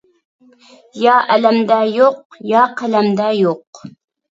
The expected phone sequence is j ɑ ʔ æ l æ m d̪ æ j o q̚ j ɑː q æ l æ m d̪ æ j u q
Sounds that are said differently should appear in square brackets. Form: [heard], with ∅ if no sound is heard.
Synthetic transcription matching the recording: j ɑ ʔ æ l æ m d̪ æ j o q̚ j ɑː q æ l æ m d̪ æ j [o] q